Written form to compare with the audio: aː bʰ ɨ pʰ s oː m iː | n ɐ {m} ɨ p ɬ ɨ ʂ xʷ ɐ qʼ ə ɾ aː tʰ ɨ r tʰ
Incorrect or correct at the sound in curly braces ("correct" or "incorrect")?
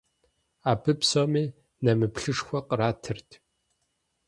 correct